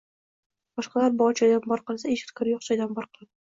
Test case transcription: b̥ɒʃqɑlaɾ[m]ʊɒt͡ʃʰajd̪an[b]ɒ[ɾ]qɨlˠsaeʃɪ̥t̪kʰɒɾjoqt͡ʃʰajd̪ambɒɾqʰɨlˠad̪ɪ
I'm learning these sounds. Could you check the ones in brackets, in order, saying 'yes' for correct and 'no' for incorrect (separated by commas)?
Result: no, yes, yes